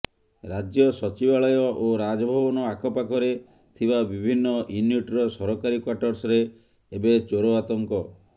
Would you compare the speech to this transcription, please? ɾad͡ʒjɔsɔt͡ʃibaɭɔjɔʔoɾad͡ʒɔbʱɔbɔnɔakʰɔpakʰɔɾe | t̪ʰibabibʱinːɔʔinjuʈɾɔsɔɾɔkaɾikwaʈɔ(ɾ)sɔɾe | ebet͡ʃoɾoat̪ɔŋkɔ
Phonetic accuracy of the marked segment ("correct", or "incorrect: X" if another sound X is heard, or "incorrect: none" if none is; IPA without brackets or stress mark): correct